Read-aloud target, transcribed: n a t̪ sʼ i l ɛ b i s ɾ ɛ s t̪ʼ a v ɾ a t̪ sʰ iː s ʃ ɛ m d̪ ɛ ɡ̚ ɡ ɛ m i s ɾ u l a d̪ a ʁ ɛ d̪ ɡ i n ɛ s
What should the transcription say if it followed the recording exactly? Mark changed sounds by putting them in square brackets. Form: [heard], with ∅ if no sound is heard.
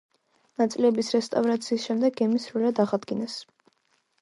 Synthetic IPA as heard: n a t̪ sʼ i l ɛ b i s ɾ ɛ s t̪ʼ a v ɾ a t̪ sʰ iː s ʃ ɛ m d̪ ɛ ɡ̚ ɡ ɛ m i s ɾ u l a d̪ a ʁ [a] d̪ ɡ i n ɛ s

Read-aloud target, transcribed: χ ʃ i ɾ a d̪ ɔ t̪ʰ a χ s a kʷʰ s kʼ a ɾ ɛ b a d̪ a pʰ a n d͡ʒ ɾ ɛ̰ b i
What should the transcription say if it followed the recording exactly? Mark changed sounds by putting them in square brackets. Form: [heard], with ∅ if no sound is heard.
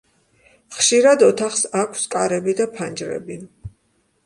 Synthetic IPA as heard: χ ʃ i ɾ a d̪ ɔ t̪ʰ a χ s a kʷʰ s kʼ a ɾ ɛ b [i] d̪ a pʰ a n d͡ʒ ɾ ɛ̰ b i

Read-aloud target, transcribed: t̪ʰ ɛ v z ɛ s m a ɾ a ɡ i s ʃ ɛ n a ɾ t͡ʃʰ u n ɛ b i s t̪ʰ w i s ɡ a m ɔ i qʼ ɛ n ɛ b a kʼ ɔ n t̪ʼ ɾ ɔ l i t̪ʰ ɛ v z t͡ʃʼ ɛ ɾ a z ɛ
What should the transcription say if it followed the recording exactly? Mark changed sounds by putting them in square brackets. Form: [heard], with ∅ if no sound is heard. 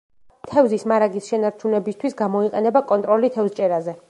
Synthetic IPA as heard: t̪ʰ ɛ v z [i] s m a ɾ a ɡ i s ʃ ɛ n a ɾ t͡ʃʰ u n ɛ b i s t̪ʰ w i s ɡ a m ɔ i qʼ ɛ n ɛ b a kʼ ɔ n t̪ʼ ɾ ɔ l i t̪ʰ ɛ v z t͡ʃʼ ɛ ɾ a z ɛ

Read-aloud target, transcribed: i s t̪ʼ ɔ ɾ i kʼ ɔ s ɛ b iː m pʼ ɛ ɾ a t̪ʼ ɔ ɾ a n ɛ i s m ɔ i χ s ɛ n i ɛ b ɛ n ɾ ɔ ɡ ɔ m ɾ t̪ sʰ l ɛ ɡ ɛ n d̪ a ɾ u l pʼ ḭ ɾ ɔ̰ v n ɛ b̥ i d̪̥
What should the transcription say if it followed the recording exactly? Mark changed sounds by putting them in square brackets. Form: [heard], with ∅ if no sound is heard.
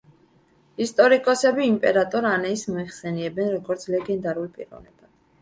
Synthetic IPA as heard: i s t̪ʼ ɔ ɾ i kʼ ɔ s ɛ b iː m pʼ ɛ ɾ a t̪ʼ ɔ ɾ a n ɛ i s m ɔ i χ s ɛ n i ɛ b ɛ n ɾ ɔ ɡ ɔ [∅] ɾ t̪ sʰ l ɛ ɡ ɛ n d̪ a ɾ u l pʼ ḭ ɾ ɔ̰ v n ɛ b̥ [a] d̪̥

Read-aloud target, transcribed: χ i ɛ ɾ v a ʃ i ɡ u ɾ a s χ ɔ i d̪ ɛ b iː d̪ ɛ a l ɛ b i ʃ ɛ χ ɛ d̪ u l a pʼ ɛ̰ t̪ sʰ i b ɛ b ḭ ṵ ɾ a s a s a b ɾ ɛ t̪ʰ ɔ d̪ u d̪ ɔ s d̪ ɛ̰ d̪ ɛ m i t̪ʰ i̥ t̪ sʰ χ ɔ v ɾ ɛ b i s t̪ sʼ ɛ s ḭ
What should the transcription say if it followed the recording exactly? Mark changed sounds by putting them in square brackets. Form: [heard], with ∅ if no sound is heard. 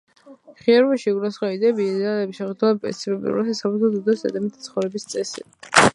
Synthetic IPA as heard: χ i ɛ ɾ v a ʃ i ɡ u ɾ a s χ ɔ i d̪ ɛ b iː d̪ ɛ a l ɛ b i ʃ ɛ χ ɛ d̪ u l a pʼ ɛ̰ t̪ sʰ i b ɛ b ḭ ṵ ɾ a s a s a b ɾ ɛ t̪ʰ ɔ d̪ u d̪ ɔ s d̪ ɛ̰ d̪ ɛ m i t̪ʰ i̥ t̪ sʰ χ ɔ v ɾ ɛ b i s t̪ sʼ ɛ s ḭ

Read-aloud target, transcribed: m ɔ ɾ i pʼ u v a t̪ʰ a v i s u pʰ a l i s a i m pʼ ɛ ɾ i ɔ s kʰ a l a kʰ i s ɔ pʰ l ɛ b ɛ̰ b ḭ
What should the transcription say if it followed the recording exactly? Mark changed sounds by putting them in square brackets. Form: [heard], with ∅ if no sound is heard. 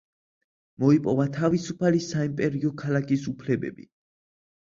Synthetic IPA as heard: m ɔ [∅] i pʼ [ɔ] v a t̪ʰ a v i s u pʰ a l i s a i m pʼ ɛ ɾ i ɔ [∅] kʰ a l a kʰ i s [u] pʰ l ɛ b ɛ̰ b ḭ

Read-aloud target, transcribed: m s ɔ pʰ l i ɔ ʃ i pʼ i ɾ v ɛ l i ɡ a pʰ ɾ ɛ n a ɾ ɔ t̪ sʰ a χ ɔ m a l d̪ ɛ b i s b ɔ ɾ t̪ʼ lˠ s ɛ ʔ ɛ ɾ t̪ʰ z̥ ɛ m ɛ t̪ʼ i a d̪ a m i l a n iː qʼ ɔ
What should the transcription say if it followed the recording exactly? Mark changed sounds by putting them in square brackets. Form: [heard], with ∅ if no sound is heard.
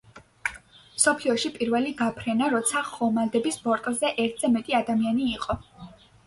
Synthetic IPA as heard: m s ɔ pʰ l i ɔ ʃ i pʼ i ɾ v ɛ l i ɡ a pʰ ɾ ɛ n a ɾ ɔ t̪ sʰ a χ ɔ m a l d̪ ɛ b i s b ɔ ɾ t̪ʼ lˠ [z] ɛ ʔ ɛ ɾ t̪ʰ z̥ ɛ m ɛ t̪ʼ i a d̪ a m i [∅] a n iː qʼ ɔ

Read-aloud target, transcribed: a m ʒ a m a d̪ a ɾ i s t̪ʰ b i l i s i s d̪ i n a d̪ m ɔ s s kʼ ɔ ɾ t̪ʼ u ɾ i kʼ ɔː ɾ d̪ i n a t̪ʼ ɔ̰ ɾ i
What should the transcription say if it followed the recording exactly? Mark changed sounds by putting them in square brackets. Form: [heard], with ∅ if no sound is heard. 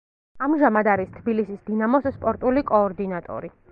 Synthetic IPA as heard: a m ʒ a m a d̪ a ɾ i s t̪ʰ b i l i s i s d̪ i n a [∅] m ɔ s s [pʼ] ɔ ɾ t̪ʼ u [l] i kʼ ɔː ɾ d̪ i n a t̪ʼ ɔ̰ ɾ i

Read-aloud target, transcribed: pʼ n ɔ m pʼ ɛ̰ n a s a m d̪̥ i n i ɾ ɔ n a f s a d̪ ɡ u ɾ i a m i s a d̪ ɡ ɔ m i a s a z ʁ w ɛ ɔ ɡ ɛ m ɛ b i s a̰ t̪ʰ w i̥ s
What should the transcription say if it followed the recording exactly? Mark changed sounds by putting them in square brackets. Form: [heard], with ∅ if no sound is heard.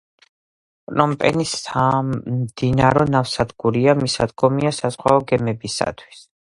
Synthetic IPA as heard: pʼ n ɔ m pʼ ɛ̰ n [i] s a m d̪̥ i n [a] ɾ ɔ n a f s a d̪ ɡ u ɾ i a m i s a d̪ ɡ ɔ m i a s a z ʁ w [a] ɔ ɡ ɛ m ɛ b i s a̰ t̪ʰ w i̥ s

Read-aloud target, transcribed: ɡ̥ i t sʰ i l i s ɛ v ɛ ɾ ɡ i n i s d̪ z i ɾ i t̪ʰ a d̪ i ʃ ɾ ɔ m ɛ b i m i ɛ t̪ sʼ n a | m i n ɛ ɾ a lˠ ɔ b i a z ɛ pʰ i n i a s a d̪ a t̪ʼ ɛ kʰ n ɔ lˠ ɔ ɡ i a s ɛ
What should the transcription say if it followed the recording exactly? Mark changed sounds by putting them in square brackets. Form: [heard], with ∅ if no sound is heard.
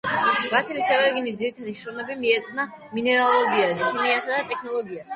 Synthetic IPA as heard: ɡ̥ [a] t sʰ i l i s ɛ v ɛ ɾ ɡ i n i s d̪ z i ɾ i t̪ʰ a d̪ i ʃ ɾ ɔ m ɛ b i m i ɛ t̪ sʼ n a | m i n ɛ ɾ a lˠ ɔ b i a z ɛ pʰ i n i a s a d̪ a t̪ʼ ɛ kʰ n ɔ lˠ ɔ ɡ i a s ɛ

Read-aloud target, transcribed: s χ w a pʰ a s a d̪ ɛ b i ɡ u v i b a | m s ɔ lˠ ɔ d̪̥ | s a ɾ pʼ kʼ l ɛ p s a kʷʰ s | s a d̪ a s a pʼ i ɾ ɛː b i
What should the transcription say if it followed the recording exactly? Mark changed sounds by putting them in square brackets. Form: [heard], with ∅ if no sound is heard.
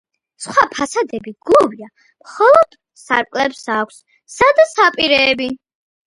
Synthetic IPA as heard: s χ w a pʰ a s a d̪ ɛ b i ɡ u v i [∅] a | m [χ] ɔ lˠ ɔ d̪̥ | s a ɾ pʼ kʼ l ɛ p s a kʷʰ s | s a d̪ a s a pʼ i ɾ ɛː b i

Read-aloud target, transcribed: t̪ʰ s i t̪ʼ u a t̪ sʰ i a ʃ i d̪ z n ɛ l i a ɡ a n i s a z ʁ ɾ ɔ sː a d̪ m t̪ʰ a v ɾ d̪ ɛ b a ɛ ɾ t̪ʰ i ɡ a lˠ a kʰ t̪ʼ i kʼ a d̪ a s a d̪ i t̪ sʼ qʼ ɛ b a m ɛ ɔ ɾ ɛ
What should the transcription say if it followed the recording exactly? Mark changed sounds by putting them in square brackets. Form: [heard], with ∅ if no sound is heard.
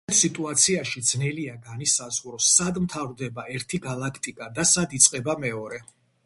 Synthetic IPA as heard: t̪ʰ s i t̪ʼ u a t̪ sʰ i a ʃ i d̪ z n ɛ l i a ɡ a n i s a z ʁ ɾ ɔ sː a d̪ m t̪ʰ a v ɾ d̪ ɛ b a ɛ ɾ t̪ʰ i ɡ a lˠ a kʰ t̪ʼ i kʼ a d̪ a s a d̪ i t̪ sʼ qʼ ɛ b a m ɛ ɔ ɾ ɛ

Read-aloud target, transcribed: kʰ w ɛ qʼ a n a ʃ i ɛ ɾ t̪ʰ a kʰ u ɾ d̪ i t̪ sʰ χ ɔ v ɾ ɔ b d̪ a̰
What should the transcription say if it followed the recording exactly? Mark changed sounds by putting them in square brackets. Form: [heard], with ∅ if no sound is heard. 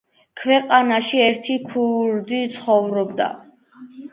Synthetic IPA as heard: kʰ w ɛ qʼ a n a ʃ i ɛ ɾ t̪ʰ [i] kʰ u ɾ d̪ i t̪ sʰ χ ɔ v ɾ ɔ b d̪ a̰

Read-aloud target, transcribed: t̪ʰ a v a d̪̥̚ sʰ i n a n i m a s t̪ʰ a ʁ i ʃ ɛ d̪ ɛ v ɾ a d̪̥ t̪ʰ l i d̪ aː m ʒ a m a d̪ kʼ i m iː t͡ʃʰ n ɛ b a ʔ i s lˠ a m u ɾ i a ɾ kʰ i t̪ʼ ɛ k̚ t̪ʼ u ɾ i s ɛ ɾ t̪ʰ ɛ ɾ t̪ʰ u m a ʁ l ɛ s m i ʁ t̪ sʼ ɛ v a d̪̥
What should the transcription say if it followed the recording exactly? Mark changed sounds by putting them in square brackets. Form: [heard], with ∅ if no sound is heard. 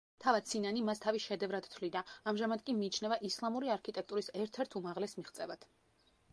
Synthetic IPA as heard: t̪ʰ a v a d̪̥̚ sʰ i n a n i m a s t̪ʰ a [v] i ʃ ɛ d̪ ɛ v ɾ a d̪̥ t̪ʰ l i d̪ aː m ʒ a m a d̪ kʼ i m iː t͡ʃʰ n ɛ [v] a ʔ i s lˠ a m u ɾ i a ɾ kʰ i t̪ʼ ɛ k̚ t̪ʼ u ɾ i s ɛ ɾ t̪ʰ ɛ ɾ t̪ʰ u m a ʁ l ɛ s m i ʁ t̪ sʼ ɛ v a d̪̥

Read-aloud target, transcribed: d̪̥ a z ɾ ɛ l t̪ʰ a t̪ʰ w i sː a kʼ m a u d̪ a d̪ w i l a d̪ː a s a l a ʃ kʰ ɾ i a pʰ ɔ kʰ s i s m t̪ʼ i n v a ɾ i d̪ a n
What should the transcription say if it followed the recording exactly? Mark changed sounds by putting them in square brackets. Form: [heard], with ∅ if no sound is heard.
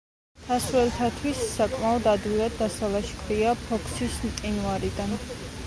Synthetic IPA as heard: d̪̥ a [s] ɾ ɛ l t̪ʰ a t̪ʰ w i sː a kʼ m a [ɔ] d̪ a d̪ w i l a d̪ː a s a l a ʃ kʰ ɾ i a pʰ ɔ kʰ s i s m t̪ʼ i n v a ɾ i d̪ a n

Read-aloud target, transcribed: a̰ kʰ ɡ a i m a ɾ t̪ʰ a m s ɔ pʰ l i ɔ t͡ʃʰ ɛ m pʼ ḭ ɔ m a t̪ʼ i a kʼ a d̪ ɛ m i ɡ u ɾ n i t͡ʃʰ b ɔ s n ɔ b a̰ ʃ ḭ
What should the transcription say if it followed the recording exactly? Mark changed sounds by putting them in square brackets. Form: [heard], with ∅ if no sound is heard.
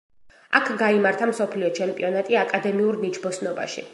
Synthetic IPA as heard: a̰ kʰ ɡ a i m a ɾ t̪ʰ a m s ɔ pʰ l i ɔ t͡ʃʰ ɛ m pʼ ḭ ɔ [n] a t̪ʼ i a kʼ a d̪ ɛ m i [∅] u ɾ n i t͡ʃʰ b ɔ s n ɔ b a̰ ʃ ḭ

